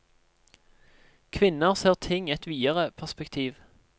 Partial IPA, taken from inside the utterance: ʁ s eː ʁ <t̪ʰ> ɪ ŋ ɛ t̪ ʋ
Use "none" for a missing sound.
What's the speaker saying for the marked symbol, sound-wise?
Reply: t̪ʰ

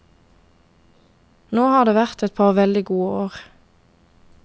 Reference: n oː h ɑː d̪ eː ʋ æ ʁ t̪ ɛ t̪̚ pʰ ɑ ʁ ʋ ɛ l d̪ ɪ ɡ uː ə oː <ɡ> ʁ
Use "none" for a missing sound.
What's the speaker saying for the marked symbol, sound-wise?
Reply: none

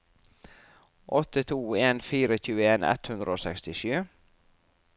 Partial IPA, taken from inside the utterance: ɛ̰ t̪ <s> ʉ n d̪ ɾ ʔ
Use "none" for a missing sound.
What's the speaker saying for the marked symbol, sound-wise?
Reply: h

